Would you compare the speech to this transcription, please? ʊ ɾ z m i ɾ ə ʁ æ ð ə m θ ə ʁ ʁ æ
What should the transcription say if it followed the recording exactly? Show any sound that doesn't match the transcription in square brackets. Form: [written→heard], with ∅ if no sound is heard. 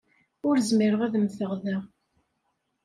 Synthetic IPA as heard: ʊ ɾ z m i ɾ ə ʁ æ ð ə m θ ə ʁ [ʁ→ð] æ